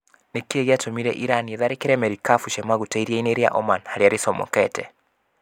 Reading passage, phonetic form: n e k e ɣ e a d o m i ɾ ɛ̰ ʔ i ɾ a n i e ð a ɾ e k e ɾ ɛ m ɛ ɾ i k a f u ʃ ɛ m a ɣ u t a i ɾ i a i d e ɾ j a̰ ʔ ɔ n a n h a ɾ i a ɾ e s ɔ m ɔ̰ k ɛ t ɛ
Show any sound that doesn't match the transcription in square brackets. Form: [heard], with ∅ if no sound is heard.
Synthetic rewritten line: n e k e ɣ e a [t] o m i ɾ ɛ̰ ʔ i ɾ a n i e ð a ɾ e k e ɾ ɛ m ɛ ɾ i k a f u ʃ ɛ m a ɣ u t a i ɾ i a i [n] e ɾ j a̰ ʔ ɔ [m] a n h a ɾ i a ɾ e s ɔ m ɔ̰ k ɛ t ɛ